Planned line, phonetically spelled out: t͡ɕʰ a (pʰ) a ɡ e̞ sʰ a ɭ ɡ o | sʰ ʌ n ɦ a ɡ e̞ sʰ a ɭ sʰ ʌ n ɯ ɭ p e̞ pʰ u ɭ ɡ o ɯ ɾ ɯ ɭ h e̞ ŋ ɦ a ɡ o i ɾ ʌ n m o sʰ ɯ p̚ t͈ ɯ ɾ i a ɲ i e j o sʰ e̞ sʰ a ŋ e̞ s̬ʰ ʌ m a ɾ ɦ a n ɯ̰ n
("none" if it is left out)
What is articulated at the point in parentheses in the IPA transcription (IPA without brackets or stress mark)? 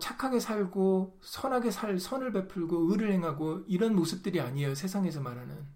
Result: kʰ